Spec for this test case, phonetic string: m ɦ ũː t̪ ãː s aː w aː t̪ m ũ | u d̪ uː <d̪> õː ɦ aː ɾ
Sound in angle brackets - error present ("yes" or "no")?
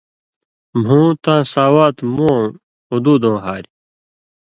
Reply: no